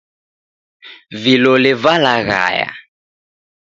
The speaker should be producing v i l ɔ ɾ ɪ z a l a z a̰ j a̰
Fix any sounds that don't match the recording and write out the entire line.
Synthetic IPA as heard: v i l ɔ l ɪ v a l a ɣ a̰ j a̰